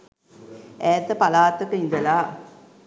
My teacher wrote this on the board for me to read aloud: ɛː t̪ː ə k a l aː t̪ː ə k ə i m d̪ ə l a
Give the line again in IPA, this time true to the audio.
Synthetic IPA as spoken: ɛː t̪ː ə p a l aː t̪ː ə k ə i n d̪ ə l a